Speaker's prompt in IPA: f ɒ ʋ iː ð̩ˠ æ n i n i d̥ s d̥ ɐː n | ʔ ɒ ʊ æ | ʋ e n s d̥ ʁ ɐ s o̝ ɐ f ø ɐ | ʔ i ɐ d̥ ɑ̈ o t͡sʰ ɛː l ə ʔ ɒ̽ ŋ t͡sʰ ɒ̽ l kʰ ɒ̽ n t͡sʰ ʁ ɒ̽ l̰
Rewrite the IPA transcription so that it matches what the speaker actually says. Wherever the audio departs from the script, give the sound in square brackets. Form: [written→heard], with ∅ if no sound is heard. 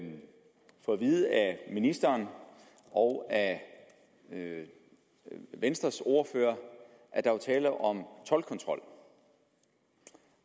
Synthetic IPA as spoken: f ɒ ʋ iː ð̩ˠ æ [n→m] i n i [d̥→∅] s d̥ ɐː n | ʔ ɒ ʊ æ | ʋ e n s d̥ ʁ ɐ s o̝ ɐ f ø ɐ | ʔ [i→æ] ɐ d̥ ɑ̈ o t͡sʰ ɛː l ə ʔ ɒ̽ [ŋ→m] t͡sʰ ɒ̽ l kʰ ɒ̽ n t͡sʰ ʁ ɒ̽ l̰